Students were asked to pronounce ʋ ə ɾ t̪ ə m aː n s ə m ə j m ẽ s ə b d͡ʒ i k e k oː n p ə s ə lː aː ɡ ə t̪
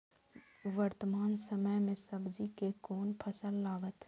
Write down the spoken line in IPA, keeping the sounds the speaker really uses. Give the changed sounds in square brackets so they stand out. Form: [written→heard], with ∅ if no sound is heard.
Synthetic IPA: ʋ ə ɾ t̪ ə m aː n s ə m ə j m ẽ s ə b d͡ʒ i k e k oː n [p→pʰ] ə s ə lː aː ɡ ə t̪